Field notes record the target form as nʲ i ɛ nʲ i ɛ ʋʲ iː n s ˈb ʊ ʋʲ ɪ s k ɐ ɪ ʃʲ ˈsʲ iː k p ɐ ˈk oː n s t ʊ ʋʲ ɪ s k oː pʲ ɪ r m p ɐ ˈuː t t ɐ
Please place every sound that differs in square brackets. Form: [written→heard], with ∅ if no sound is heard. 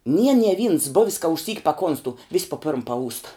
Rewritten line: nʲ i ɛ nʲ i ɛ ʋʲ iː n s ˈb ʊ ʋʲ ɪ s k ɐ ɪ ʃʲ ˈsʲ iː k p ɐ ˈk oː n s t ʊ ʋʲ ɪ s [k→p] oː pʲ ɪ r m p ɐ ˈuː [t→s] t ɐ